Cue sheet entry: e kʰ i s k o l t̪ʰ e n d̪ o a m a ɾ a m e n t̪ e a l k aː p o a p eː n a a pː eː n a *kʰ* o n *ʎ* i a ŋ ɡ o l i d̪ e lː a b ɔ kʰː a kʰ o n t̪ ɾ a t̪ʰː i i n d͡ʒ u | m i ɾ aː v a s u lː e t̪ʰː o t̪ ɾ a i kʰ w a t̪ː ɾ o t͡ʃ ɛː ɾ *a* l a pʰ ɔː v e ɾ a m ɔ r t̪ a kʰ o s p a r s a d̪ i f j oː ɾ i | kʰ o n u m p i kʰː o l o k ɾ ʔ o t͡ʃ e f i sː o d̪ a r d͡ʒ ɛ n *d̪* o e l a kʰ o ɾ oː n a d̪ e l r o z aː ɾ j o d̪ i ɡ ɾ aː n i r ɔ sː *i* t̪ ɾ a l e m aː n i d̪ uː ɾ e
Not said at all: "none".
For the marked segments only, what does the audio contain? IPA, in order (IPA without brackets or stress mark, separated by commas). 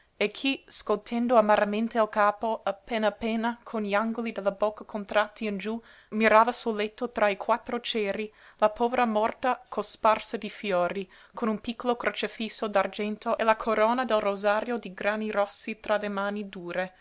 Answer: kʰ, ʎ, i, t̪, i